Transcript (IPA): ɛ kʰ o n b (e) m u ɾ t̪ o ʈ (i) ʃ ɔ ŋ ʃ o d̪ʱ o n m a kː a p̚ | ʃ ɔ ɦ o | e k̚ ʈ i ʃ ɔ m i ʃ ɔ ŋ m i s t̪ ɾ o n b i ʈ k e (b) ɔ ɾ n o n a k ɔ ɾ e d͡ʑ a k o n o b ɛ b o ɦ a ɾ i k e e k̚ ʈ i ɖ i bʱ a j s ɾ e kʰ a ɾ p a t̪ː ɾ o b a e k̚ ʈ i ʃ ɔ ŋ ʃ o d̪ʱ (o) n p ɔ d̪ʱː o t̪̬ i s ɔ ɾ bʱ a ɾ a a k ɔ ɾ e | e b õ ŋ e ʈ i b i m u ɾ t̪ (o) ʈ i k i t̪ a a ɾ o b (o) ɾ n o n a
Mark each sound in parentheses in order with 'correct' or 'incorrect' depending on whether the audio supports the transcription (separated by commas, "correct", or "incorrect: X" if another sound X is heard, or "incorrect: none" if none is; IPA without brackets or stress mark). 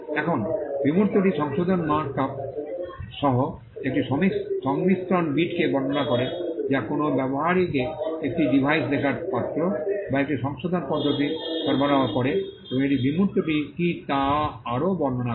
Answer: incorrect: i, correct, correct, correct, correct, incorrect: ɔ